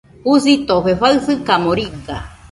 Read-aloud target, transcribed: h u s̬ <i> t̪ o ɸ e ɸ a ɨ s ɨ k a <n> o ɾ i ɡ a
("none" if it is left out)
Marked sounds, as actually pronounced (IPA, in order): i, m

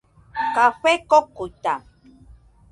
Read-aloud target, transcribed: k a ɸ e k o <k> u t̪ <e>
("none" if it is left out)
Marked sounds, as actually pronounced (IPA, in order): k, a

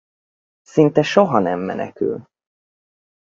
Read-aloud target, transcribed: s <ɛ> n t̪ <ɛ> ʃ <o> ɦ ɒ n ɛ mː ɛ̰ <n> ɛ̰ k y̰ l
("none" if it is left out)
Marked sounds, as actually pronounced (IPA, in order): i, ɛ, o, n

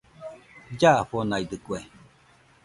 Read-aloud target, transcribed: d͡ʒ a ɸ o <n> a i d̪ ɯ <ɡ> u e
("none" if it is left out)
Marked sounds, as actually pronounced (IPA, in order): n, k

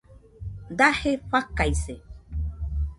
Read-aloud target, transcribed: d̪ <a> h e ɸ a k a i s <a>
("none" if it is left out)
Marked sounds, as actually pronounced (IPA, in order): a, e

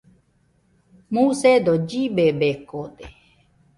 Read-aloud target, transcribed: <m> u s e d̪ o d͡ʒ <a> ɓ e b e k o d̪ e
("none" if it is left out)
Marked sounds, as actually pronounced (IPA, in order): m, i

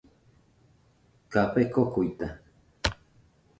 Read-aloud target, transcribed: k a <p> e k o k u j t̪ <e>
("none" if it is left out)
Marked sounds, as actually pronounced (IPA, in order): p, a

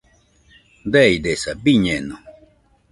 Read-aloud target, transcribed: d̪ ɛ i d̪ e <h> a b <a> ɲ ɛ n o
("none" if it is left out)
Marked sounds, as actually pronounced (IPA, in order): s, i

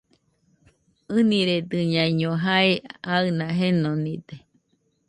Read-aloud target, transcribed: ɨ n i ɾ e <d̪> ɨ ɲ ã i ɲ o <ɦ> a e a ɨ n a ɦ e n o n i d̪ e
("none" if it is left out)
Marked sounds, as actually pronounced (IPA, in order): d̪, ɦ

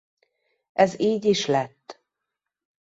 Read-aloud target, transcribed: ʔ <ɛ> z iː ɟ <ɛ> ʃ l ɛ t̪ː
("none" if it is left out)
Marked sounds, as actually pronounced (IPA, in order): ɛ, i

